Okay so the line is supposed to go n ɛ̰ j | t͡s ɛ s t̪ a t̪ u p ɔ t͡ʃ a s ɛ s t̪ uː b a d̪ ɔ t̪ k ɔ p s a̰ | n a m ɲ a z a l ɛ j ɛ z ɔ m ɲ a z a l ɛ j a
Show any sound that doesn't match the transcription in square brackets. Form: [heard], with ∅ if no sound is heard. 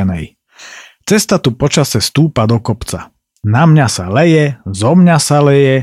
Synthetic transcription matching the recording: n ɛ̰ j | t͡s ɛ s t̪ a t̪ u p ɔ t͡ʃ a s ɛ s t̪ uː [p] a d̪ ɔ [∅] k ɔ p [t͡s] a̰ | n a m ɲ a [s] a l ɛ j ɛ z ɔ m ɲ a [s] a l ɛ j [ɛ]